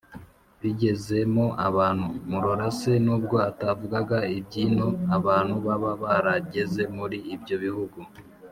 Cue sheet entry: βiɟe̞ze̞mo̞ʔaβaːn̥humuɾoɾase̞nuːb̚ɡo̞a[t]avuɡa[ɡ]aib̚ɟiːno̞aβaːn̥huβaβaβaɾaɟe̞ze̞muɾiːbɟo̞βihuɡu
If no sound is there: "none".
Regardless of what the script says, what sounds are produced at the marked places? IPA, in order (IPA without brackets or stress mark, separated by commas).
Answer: t, ɡ